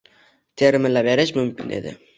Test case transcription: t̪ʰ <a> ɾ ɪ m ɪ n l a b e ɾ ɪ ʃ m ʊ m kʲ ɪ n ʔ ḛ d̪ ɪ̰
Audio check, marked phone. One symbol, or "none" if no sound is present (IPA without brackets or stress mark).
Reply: e